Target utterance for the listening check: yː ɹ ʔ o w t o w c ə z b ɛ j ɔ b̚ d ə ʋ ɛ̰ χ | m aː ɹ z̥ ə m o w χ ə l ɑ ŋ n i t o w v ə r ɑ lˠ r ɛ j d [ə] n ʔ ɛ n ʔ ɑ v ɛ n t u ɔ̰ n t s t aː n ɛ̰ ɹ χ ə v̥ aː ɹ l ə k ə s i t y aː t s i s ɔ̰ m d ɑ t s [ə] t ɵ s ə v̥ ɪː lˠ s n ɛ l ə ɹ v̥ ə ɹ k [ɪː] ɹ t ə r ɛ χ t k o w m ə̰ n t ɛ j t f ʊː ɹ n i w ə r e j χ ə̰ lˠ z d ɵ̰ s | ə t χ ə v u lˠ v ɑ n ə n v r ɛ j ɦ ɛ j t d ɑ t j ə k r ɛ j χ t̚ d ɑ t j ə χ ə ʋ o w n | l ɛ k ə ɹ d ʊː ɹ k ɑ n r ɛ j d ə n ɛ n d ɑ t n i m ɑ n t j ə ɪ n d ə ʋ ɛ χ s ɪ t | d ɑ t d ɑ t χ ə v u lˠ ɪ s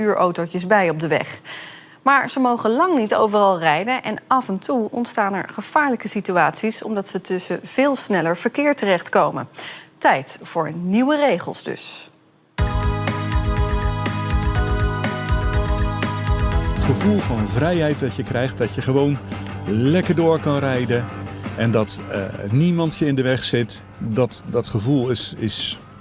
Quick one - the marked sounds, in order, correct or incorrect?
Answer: correct, correct, correct

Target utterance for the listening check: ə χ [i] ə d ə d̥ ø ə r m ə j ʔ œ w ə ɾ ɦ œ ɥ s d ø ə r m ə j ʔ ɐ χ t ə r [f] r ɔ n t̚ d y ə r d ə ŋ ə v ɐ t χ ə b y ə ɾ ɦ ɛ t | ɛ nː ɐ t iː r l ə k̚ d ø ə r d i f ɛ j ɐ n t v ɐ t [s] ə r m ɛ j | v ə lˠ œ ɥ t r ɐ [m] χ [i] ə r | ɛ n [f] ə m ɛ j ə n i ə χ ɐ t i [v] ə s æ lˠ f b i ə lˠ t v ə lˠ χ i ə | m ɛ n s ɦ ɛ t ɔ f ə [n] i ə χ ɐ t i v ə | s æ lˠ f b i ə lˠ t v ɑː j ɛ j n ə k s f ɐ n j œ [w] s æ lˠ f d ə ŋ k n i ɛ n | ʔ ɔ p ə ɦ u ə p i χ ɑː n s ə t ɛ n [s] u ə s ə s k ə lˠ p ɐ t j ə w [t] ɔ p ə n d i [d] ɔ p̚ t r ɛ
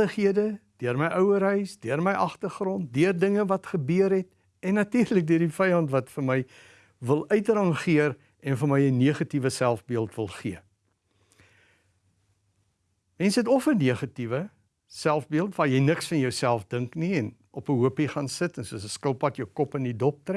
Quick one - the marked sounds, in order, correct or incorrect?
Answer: correct, incorrect: χ, incorrect: f, incorrect: ŋ, correct, correct, correct, correct, correct, correct, incorrect: k, correct

